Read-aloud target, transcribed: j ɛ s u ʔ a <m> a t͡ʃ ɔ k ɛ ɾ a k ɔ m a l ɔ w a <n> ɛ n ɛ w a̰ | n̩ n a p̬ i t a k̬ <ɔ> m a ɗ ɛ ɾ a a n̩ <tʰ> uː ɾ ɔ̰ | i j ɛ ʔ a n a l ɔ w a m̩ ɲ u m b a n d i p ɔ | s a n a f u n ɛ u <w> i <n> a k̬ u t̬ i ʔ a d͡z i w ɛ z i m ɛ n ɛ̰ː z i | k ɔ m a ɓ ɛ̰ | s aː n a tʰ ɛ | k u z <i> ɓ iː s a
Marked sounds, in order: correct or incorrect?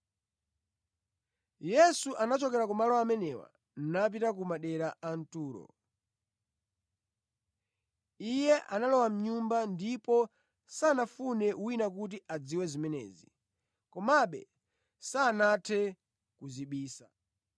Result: incorrect, incorrect, incorrect, incorrect, correct, correct, correct

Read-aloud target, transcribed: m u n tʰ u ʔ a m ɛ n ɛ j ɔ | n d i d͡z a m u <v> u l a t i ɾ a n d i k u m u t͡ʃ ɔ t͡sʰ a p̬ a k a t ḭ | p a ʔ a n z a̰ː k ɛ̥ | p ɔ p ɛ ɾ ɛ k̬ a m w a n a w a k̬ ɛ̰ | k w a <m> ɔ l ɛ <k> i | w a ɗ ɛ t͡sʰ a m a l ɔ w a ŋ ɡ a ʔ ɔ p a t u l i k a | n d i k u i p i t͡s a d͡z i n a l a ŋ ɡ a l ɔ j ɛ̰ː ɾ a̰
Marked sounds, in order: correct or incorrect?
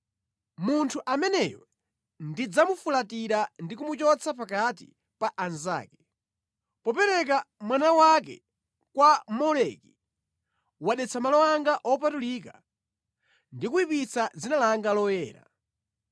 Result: incorrect, correct, correct

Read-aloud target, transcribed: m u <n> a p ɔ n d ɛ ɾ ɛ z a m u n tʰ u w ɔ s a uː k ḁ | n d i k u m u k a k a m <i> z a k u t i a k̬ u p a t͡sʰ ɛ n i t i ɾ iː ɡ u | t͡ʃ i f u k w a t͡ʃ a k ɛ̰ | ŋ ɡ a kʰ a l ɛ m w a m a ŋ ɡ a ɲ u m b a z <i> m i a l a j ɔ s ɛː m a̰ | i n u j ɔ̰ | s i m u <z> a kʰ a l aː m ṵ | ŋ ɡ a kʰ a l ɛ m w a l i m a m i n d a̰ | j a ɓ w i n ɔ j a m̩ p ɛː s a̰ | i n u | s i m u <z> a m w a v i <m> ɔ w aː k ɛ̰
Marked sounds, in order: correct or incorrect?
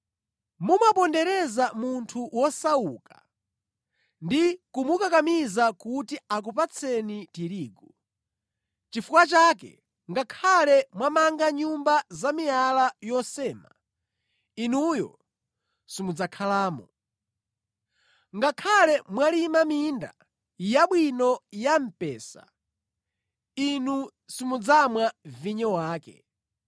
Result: incorrect, correct, incorrect, incorrect, incorrect, incorrect

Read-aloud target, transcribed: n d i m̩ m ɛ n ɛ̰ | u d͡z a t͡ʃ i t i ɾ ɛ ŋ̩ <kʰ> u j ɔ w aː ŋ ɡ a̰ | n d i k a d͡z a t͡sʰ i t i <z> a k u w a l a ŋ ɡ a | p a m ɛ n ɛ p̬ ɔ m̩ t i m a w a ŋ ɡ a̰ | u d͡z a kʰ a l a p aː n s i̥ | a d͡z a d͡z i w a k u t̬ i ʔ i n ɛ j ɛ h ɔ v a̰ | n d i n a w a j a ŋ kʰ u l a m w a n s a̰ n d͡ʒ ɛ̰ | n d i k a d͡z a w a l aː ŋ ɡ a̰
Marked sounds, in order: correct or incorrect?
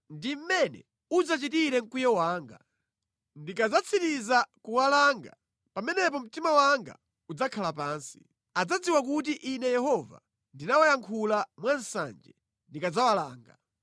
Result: incorrect, correct

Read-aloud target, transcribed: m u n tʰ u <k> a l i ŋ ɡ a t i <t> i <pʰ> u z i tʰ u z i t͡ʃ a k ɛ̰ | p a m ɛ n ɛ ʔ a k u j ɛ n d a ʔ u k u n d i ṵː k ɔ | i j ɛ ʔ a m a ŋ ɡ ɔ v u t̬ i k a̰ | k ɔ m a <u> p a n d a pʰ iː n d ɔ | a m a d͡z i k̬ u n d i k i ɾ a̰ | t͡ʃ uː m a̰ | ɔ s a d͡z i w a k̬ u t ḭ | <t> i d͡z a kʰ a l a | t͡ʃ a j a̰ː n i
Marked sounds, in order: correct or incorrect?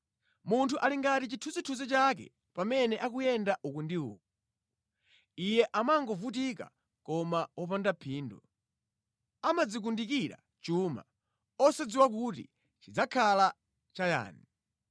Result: incorrect, incorrect, incorrect, incorrect, incorrect

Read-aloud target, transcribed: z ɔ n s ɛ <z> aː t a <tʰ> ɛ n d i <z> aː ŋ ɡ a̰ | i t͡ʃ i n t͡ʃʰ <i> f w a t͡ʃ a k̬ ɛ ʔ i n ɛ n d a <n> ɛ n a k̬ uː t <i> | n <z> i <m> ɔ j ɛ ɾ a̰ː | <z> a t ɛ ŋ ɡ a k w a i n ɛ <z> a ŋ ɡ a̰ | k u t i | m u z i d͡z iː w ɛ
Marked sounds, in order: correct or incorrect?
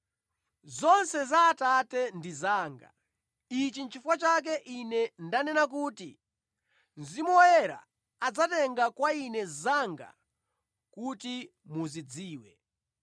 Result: correct, incorrect, correct, correct, correct, correct, correct, correct, incorrect, correct

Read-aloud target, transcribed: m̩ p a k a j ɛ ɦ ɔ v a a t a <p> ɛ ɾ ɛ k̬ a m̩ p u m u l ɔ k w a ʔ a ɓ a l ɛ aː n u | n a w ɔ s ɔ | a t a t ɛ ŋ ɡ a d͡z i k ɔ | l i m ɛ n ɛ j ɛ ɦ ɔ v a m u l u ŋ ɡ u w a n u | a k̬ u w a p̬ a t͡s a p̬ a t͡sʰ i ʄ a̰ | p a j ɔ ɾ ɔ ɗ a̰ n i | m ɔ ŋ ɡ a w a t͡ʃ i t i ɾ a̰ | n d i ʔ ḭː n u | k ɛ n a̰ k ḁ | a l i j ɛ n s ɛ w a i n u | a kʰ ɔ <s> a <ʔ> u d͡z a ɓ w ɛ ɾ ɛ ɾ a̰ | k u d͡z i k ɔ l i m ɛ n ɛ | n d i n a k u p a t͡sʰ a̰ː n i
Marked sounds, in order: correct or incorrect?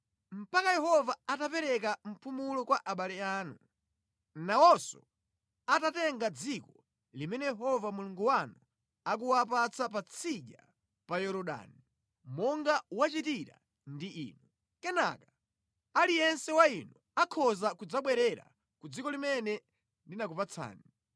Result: correct, incorrect, incorrect

